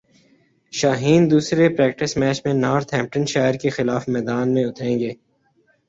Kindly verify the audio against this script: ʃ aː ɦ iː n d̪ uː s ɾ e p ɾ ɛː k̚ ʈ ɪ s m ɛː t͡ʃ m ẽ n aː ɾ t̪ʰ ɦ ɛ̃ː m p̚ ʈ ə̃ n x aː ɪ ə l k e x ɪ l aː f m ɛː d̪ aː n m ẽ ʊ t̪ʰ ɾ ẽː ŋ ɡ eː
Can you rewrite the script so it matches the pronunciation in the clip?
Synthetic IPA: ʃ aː ɦ iː n d̪ uː s ɾ e p ɾ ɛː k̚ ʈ ɪ s m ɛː t͡ʃ m ẽ n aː ɾ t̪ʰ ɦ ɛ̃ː m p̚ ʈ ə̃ n ʃ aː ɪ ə ɾ k e x ɪ l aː f m ɛː d̪ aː n m ẽ ʊ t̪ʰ ɾ ẽː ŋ ɡ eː